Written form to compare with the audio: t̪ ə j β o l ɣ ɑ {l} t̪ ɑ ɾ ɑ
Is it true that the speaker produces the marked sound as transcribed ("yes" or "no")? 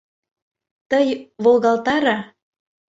yes